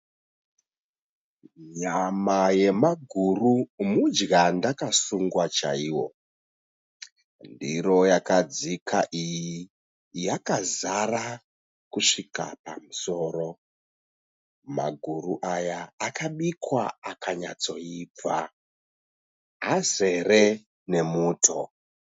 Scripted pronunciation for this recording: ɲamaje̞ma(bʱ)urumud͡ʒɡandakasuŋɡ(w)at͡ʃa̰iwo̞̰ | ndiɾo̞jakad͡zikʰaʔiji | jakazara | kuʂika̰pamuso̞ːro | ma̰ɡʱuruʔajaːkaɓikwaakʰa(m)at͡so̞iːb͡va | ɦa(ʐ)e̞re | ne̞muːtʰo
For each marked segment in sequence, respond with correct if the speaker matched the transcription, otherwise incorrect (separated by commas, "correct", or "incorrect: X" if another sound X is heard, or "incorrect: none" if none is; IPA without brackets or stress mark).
incorrect: ɡʱ, correct, incorrect: ɲ, incorrect: z